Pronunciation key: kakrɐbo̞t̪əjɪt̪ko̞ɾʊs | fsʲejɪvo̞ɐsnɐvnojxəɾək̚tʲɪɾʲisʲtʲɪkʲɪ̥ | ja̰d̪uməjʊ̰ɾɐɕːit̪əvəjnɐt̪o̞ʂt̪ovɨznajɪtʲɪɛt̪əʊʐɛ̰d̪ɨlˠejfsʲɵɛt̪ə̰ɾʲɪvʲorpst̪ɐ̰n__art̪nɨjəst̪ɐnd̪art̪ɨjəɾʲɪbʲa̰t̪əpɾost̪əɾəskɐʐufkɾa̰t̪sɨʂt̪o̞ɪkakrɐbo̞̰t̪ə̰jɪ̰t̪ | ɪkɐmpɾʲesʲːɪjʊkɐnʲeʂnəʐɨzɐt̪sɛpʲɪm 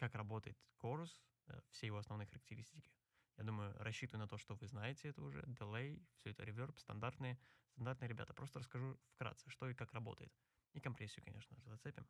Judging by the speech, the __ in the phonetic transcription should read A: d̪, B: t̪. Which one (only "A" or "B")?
A